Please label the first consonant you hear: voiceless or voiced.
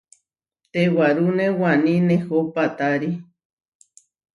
voiceless